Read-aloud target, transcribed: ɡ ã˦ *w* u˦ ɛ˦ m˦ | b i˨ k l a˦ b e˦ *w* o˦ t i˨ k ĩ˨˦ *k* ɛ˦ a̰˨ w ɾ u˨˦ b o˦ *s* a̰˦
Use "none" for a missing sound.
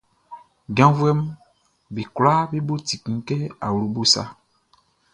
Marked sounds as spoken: v, b, k, s

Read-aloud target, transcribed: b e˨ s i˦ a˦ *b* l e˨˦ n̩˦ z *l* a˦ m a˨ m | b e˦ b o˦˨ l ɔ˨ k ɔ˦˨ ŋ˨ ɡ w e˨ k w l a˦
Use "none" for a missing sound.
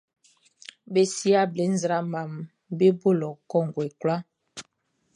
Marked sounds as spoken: b, ɾ

